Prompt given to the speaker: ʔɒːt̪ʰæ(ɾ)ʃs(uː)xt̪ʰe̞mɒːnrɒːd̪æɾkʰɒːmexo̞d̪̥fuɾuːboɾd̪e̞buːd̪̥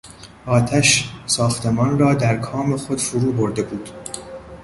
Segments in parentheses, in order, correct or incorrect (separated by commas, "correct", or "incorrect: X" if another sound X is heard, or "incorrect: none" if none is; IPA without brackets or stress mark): incorrect: none, incorrect: ɒː